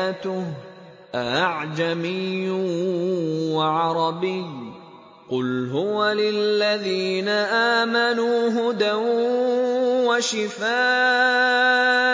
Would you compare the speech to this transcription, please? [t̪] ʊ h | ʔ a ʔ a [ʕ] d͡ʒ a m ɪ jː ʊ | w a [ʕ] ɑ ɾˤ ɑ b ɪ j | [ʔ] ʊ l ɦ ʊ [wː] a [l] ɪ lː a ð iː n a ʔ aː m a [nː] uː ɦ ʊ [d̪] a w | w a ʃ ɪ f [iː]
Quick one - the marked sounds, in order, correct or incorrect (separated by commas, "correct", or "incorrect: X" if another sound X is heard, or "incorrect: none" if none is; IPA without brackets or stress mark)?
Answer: correct, correct, correct, incorrect: q, incorrect: w, correct, incorrect: n, correct, incorrect: aː